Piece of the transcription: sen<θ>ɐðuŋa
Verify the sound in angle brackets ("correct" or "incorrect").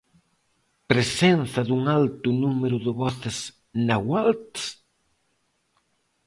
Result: correct